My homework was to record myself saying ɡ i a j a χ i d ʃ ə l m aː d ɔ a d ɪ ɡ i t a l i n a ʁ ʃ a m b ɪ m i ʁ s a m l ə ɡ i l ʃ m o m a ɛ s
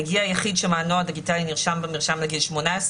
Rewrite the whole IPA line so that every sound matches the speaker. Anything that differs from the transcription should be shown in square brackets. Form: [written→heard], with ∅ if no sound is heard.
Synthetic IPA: ɡ i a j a χ i d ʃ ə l m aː [d→n] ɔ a d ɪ ɡ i t a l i n [a→i] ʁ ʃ a m b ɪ m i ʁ [s→ʃ] a m l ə ɡ i l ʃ m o [m→n] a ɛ s

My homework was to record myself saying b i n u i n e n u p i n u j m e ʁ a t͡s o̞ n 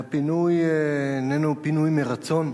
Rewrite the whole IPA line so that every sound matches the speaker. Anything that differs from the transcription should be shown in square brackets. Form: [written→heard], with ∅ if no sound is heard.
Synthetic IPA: [b→p] i n u [i→j] n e n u p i n u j m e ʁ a t͡s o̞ n

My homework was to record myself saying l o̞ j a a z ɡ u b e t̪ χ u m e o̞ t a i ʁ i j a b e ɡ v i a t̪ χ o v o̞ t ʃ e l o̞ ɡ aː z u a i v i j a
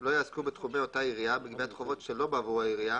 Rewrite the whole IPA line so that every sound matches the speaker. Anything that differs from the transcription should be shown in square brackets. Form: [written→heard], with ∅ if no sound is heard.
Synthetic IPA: l o̞ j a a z [ɡ→k] u b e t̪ χ u m e o̞ t a i ʁ i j a b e ɡ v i a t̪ χ o v o̞ t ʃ e l o̞ [ɡ→b] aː [z→v] u a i [v→ʁ] i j a

